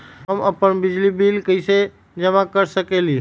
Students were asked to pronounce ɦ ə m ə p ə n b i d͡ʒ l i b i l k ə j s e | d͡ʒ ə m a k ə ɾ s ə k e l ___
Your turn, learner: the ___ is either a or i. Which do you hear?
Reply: i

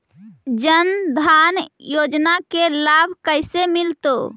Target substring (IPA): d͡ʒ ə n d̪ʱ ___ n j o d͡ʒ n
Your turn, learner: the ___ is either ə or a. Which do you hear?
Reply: a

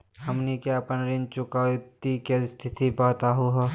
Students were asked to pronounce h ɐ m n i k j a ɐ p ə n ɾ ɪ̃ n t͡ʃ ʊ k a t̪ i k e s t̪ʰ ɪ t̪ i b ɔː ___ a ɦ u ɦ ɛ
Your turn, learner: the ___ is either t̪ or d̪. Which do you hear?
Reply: t̪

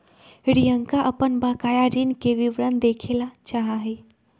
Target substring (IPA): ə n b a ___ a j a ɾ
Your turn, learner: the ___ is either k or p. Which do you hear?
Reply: k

